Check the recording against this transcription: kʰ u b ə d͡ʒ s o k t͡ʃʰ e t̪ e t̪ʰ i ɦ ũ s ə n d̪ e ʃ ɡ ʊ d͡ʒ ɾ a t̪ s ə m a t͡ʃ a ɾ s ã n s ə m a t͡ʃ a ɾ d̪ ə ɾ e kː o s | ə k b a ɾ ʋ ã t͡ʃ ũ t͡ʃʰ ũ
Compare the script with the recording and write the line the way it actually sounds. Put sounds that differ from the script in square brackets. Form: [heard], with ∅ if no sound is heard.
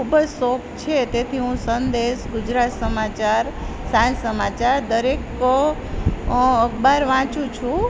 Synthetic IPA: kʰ u b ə d͡ʒ s o k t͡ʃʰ e t̪ e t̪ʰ i ɦ ũ s ə n d̪ e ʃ ɡ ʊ d͡ʒ ɾ a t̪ s ə m a t͡ʃ a ɾ s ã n s ə m a t͡ʃ a ɾ d̪ ə ɾ e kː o [∅] | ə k b a ɾ ʋ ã t͡ʃ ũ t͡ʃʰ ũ